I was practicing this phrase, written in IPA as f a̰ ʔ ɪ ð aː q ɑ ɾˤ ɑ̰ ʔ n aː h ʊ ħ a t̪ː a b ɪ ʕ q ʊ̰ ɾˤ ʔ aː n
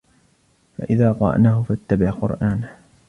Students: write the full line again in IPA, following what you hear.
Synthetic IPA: f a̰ ʔ ɪ ð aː q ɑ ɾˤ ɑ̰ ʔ n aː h ʊ f a t̪ː a b ɪ ʕ q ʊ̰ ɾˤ ʔ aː n